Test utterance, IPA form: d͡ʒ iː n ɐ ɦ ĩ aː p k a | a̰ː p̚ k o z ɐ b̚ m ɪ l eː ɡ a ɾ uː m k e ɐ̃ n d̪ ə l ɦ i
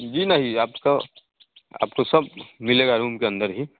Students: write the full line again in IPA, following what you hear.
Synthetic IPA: d͡ʒ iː n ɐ ɦ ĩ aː p k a | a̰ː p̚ k o s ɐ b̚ m ɪ l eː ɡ a ɾ uː m k e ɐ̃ n d̪ ə ɾ ɦ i

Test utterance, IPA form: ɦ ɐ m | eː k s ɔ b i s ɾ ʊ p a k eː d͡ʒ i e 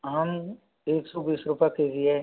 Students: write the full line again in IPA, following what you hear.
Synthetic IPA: ɦ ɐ m | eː k s ɔ b iː s ɾ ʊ p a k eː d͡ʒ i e

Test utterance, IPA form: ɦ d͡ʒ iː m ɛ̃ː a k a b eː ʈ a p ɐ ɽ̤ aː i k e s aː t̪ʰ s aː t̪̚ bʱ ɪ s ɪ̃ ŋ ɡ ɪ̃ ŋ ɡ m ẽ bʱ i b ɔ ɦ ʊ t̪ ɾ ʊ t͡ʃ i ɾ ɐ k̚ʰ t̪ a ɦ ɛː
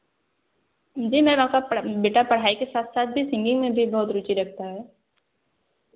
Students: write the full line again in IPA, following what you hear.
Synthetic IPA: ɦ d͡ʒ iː m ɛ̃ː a k a b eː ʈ a p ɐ ɽ̤ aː i k e s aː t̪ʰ s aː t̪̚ bʱ i s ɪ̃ ŋ ɡ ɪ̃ ŋ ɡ m ẽ bʱ i b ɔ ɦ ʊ t̪ ɾ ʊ t͡ʃ i ɾ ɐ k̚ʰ t̪ a ɦ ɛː

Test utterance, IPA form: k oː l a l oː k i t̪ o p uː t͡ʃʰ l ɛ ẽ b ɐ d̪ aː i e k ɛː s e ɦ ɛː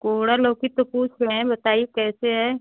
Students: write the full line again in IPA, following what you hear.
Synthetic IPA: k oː ɽ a l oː k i t̪ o p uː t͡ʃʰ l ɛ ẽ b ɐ t̪ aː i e k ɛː s e ɦ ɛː

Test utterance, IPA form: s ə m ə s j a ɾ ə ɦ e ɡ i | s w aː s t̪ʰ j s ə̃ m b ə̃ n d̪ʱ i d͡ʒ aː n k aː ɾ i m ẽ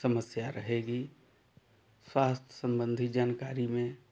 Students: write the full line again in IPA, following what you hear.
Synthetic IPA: s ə m ə s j a ɾ ə ɦ e ɡ i | s w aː s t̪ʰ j s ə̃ m b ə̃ n d̪ʱ i d͡ʒ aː n k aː ɾ i m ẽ

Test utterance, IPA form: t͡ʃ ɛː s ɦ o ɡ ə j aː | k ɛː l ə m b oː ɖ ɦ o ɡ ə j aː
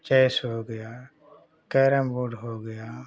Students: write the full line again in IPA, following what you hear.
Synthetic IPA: t͡ʃ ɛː s ɦ o ɡ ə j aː | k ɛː ɾ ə m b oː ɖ ɦ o ɡ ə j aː

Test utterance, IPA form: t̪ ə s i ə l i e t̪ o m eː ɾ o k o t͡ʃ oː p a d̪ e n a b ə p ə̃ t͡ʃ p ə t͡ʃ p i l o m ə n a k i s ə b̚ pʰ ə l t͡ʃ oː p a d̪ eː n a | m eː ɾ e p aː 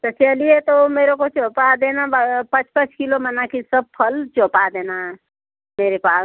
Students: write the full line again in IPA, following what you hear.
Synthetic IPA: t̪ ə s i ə l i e t̪ o m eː ɾ o k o t͡ʃ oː p a d̪ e n a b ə p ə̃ t͡ʃ p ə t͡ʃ k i l o m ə n a k i s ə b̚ pʰ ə l t͡ʃ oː p a d̪ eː n a | m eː ɾ e p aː

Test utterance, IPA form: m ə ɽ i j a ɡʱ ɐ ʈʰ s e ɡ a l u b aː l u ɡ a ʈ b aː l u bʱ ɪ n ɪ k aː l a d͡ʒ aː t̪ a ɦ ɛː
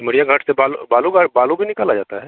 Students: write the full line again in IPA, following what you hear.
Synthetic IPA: m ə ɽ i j a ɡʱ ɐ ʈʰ s e b a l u b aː l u ɡ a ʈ b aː l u bʱ i n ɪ k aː l a d͡ʒ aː t̪ a ɦ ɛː

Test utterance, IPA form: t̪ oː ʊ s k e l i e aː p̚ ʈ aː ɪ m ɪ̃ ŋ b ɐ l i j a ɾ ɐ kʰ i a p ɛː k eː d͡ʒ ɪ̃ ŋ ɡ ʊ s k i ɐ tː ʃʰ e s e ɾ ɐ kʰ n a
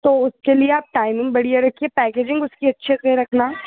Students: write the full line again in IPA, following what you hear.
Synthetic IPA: t̪ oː ʊ s k e l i e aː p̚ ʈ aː ɪ m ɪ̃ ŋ b ɐ ɽ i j a ɾ ɐ kʰ i e p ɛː k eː d͡ʒ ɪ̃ ŋ ɡ ʊ s k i ɐ tː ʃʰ e s e ɾ ɐ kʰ n a

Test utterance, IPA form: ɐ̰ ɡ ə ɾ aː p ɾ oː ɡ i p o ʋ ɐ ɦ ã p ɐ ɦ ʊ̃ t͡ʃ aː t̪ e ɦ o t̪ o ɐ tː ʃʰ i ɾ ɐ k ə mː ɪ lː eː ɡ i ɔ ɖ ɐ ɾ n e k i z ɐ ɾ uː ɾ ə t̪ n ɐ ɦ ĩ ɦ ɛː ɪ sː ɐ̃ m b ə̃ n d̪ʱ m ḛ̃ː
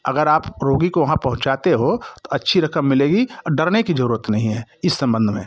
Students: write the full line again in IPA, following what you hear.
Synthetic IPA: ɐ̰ ɡ ə ɾ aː p ɾ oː ɡ i k o ʋ ɐ ɦ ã p ɐ ɦ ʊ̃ t͡ʃ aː t̪ e ɦ o t̪ o ɐ tː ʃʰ i ɾ ɐ k ə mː ɪ l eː ɡ i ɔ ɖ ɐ ɾ n e k i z ɐ ɾ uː ɾ ə t̪ n ɐ ɦ ĩ ɦ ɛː ɪ sː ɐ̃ m b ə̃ n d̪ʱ m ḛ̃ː

